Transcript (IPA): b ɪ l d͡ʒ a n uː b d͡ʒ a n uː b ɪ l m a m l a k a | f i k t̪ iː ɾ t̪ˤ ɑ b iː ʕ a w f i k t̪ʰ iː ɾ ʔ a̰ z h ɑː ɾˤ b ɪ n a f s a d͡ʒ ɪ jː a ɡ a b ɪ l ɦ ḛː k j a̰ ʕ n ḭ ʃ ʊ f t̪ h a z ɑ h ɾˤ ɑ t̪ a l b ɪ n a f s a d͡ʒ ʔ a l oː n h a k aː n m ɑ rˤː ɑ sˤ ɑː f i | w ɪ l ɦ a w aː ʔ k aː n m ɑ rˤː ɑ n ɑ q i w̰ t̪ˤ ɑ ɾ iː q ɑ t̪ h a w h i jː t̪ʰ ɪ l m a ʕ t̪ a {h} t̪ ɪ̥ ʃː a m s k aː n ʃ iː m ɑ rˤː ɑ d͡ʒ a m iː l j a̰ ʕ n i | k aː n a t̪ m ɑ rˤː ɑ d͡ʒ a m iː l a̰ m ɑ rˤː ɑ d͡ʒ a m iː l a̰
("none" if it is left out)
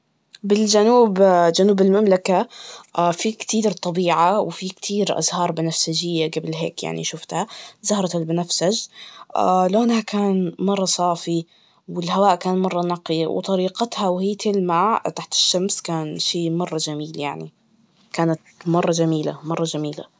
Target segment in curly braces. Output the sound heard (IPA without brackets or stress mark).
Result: ħ